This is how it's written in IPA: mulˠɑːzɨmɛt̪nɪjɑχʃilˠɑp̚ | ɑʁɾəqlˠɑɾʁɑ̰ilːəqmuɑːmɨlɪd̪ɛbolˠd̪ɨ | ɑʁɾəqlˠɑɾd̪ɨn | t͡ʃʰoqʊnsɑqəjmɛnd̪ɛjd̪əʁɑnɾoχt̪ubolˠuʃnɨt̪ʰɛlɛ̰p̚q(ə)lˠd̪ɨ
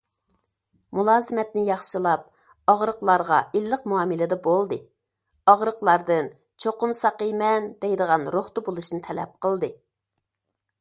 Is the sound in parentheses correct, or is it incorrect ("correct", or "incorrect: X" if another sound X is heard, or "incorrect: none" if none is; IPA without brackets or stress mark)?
correct